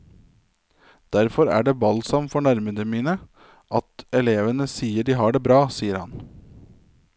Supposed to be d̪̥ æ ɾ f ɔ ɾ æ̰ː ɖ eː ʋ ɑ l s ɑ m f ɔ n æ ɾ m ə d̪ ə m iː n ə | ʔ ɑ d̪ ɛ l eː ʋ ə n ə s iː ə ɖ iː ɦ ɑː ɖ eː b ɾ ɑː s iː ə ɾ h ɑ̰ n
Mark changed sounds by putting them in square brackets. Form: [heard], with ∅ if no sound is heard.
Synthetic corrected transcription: d̪̥ æ ɾ f ɔ ɾ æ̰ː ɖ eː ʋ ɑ l s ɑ m f ɔ [ɳ] æ ɾ m ə d̪ ə m iː n ə | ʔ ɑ [t̪] ɛ l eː ʋ ə n ə s iː ə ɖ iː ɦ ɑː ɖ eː b ɾ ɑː s iː ə ɾ h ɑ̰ n